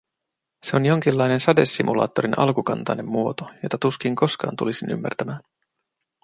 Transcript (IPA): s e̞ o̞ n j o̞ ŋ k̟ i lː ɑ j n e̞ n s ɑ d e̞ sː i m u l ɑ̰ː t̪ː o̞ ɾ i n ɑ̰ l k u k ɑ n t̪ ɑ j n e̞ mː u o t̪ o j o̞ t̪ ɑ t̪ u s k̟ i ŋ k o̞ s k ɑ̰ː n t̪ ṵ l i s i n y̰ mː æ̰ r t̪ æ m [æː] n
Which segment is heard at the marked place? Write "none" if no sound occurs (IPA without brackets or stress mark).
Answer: æː